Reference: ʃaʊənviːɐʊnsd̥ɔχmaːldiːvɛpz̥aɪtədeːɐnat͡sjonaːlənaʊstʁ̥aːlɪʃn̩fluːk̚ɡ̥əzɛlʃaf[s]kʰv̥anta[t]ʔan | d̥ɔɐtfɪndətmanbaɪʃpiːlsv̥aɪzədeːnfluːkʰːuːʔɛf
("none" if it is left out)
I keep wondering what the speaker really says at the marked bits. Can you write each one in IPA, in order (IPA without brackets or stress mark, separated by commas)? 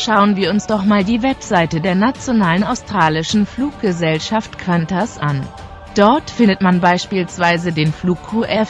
t, s